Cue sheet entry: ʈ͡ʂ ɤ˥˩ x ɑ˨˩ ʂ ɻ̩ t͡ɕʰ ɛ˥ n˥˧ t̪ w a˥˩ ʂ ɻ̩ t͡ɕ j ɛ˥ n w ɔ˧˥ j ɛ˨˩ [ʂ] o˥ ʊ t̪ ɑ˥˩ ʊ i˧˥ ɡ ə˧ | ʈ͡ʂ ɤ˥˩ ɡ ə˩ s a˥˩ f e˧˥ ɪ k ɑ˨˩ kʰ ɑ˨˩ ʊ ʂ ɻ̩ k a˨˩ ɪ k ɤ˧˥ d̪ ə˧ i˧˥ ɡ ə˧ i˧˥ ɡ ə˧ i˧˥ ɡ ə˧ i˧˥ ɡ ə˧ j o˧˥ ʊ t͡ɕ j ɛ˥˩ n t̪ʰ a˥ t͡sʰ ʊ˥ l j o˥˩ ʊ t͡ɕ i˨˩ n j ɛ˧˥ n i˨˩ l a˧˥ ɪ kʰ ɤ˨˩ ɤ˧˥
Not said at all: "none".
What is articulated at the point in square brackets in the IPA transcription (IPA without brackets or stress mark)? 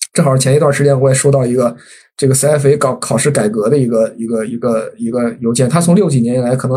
ʂ